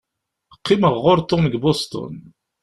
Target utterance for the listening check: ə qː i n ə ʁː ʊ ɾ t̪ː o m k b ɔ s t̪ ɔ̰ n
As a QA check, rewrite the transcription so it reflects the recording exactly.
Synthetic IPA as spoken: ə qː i m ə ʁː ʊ ɾ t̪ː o m ɡ b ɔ s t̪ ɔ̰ n